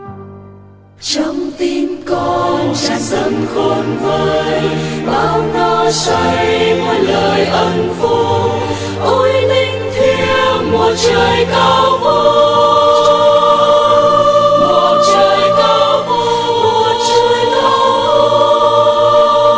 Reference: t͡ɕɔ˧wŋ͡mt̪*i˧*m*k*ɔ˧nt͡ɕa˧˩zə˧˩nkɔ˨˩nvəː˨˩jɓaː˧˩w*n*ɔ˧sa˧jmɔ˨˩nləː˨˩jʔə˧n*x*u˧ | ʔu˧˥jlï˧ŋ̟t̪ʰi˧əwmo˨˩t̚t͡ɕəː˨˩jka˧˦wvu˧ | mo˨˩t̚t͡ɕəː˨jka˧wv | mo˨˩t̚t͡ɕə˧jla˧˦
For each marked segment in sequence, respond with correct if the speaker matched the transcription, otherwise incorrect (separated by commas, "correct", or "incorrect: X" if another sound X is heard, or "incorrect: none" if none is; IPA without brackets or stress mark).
correct, correct, correct, incorrect: f